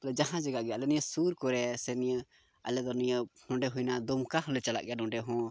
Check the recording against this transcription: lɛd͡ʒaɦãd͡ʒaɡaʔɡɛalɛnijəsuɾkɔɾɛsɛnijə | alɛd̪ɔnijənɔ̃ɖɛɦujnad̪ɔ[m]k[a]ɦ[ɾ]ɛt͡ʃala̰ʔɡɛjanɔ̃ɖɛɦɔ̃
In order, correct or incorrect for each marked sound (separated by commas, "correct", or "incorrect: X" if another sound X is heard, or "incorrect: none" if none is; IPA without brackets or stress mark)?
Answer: correct, correct, incorrect: l